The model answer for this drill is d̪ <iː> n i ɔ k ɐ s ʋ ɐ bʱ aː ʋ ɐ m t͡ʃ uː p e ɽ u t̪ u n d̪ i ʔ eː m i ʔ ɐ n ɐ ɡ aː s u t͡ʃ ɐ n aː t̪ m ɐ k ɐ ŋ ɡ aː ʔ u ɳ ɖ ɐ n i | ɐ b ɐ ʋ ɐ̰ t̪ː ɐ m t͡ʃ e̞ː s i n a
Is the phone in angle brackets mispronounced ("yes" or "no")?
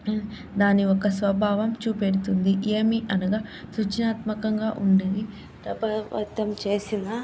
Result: yes